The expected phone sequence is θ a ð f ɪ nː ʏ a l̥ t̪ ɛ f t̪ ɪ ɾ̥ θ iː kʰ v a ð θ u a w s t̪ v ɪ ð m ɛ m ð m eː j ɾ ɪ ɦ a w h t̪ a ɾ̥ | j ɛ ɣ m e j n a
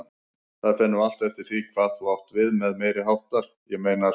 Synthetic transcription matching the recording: θ a ð f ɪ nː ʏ a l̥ t̪ ɛ f t̪ ɪ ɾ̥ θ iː kʰ v a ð θ u a w h t̪ v ɪ ð m ɛ ð m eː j ɾ ɪ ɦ a w h t̪ a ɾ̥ | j ɛ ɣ m e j n a